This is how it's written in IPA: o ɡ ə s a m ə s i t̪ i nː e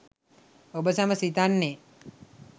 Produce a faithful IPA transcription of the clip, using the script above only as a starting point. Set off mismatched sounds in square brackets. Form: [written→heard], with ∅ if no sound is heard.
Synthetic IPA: o [ɡ→b] ə s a m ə s i t̪ [i→a] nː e